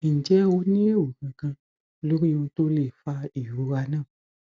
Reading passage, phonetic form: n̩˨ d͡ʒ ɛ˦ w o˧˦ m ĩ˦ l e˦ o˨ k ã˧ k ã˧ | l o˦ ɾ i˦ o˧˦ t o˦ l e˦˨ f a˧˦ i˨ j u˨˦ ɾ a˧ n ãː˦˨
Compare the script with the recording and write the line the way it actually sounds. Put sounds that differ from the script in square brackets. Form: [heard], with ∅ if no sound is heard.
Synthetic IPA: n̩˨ d͡ʒ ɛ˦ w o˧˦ [n] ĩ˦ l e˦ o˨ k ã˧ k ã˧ | l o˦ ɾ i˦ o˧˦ t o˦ l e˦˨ f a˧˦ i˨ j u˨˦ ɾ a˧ n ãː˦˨